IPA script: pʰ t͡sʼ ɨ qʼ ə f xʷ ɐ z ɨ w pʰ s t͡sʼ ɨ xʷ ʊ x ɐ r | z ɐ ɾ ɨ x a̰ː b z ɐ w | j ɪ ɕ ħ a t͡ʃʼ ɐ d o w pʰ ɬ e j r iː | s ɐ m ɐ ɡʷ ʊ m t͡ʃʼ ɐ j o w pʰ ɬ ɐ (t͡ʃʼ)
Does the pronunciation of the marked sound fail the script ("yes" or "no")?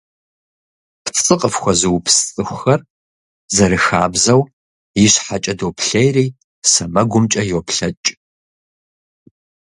no